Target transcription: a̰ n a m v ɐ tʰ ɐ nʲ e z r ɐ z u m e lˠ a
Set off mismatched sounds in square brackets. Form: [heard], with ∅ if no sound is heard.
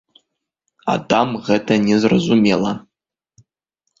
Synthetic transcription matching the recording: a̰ [d] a m [ʁ] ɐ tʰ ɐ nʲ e z r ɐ z u m e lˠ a